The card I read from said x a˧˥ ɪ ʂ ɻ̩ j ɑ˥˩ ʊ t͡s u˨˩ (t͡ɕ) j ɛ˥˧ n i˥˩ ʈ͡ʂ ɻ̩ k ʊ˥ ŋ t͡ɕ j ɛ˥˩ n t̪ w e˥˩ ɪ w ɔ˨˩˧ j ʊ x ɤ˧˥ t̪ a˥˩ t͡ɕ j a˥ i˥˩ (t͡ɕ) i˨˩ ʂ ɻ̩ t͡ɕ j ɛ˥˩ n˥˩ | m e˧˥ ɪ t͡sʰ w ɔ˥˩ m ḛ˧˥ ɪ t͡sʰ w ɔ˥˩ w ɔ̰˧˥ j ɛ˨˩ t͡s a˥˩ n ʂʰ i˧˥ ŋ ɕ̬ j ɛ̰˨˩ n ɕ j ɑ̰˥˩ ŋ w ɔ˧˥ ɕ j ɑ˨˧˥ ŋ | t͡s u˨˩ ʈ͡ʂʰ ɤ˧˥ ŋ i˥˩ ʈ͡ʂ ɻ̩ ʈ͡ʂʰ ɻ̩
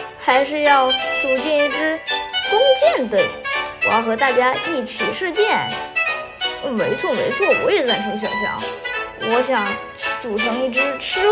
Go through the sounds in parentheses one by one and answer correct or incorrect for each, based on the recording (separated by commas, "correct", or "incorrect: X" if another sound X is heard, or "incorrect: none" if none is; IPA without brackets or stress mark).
correct, incorrect: t͡ɕʰ